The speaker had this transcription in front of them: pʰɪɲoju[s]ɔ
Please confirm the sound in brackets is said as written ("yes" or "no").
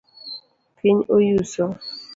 yes